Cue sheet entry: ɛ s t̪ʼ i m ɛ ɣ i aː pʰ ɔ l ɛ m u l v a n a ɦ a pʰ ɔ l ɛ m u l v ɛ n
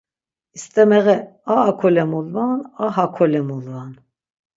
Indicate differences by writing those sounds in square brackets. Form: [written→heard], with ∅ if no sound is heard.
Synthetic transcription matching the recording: [ɛ→i] s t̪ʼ [i→ɛ] m ɛ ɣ [i→ɛ] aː [pʰ→kʰ] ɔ l ɛ m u l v a n a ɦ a [pʰ→kʰ] ɔ l ɛ m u l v [ɛ→a] n